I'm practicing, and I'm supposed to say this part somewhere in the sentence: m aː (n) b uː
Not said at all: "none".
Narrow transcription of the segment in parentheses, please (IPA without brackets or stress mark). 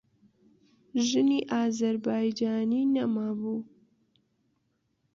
none